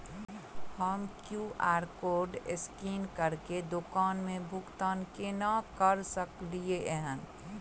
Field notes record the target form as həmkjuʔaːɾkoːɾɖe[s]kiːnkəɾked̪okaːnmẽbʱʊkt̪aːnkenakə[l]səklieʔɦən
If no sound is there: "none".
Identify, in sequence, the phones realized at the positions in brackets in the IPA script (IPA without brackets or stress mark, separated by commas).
s, ɾ